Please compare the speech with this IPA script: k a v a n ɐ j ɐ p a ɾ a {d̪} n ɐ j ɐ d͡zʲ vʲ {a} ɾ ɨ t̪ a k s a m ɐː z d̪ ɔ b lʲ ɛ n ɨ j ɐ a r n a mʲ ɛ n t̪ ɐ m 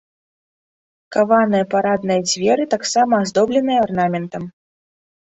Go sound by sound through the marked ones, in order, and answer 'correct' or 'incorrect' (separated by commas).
correct, incorrect